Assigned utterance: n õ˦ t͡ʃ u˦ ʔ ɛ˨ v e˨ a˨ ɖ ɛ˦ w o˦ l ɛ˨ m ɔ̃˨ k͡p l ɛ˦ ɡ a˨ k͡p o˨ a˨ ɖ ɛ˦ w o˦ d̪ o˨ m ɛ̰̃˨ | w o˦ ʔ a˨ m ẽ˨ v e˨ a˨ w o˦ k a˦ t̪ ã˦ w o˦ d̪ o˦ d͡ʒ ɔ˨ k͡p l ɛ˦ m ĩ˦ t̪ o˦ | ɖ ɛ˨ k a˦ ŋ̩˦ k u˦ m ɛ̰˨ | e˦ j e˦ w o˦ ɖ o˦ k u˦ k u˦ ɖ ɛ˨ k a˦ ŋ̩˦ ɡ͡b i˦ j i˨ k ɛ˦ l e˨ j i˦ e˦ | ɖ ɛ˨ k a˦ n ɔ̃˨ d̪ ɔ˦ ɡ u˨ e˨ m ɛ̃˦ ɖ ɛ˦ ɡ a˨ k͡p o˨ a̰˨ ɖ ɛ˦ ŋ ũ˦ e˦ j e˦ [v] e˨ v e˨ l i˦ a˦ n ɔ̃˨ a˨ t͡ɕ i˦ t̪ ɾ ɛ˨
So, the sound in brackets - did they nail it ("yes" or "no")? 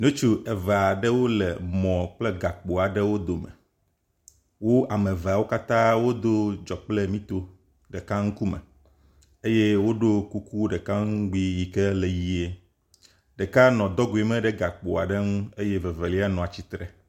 yes